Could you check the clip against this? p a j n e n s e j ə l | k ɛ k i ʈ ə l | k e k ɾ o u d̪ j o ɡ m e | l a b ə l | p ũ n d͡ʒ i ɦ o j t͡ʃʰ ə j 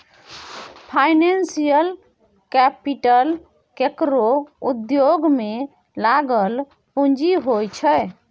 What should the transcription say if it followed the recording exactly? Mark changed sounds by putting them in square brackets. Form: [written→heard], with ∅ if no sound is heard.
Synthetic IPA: [p→pʰ] a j n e n s [e→i] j ə l | k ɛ [k→p] i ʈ ə l | k e k ɾ o u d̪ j o ɡ m e | l a [b→ɡ] ə l | p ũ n d͡ʒ i ɦ o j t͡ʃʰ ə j